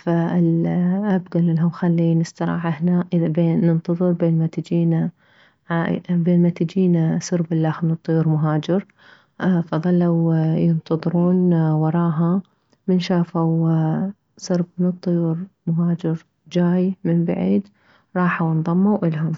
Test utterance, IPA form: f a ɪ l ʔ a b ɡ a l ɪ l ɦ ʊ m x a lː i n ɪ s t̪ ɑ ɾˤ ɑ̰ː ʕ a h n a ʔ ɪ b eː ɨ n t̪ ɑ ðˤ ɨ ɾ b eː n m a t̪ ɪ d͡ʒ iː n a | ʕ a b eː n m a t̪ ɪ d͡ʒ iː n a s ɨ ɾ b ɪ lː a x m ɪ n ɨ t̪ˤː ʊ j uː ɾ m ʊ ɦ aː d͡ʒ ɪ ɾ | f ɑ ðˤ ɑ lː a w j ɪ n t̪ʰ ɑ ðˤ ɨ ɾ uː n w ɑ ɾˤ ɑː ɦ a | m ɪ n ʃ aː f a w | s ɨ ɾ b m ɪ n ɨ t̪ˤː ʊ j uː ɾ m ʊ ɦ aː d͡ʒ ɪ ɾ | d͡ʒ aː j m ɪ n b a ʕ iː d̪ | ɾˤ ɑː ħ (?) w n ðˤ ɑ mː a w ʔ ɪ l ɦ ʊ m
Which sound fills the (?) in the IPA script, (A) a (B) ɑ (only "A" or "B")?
A